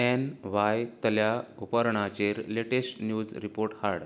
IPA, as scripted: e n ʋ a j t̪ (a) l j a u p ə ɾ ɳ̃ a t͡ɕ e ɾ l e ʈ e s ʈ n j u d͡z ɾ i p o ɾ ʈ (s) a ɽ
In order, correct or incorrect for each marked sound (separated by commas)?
incorrect, incorrect